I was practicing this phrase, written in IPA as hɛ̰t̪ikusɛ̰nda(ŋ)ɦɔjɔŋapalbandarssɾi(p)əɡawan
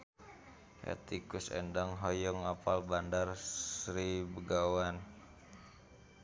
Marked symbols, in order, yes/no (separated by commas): yes, no